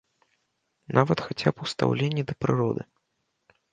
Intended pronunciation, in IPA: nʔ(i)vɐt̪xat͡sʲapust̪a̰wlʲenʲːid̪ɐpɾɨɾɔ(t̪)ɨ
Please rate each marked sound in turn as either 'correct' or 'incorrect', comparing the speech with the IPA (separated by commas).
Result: incorrect, incorrect